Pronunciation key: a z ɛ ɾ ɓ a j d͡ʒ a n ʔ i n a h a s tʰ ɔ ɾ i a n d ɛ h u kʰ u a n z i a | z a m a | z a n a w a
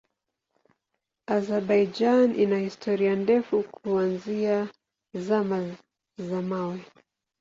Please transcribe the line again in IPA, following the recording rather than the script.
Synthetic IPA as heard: a z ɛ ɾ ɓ a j d͡ʒ a n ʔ i n a h i s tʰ ɔ ɾ i a n d ɛ f u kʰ u a n z i a | z a m a | z a m a w ɛ